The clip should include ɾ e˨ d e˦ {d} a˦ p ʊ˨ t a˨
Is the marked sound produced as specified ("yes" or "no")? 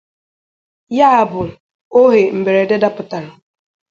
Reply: yes